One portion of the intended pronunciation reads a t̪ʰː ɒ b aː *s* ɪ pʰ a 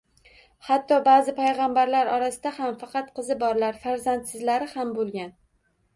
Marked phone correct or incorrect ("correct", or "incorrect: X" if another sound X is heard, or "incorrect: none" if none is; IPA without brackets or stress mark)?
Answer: incorrect: z